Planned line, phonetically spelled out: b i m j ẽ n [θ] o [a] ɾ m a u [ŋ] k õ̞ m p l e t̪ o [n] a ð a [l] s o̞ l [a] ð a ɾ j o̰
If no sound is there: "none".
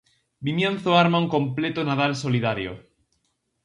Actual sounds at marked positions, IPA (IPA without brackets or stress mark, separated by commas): θ, a, ŋ, n, l, i